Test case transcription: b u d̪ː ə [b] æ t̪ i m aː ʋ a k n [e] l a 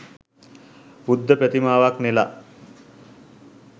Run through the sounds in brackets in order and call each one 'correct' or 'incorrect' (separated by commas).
incorrect, correct